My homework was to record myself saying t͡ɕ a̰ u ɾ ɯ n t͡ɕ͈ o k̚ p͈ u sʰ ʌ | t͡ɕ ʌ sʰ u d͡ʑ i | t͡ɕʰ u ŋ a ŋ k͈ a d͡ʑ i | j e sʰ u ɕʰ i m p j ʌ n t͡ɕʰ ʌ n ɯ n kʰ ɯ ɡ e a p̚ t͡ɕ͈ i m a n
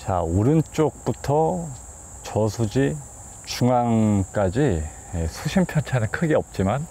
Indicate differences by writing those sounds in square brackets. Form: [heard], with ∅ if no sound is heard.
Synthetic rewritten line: t͡ɕ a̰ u ɾ ɯ n t͡ɕ͈ o k̚ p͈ u [tʰ] ʌ | t͡ɕ ʌ sʰ u d͡ʑ i | [t͡ɕ] u ŋ a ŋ k͈ a d͡ʑ i | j e sʰ u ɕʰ i m [pʰ] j ʌ n t͡ɕʰ [a] n ɯ n kʰ ɯ ɡ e [ʌ] p̚ t͡ɕ͈ i m a n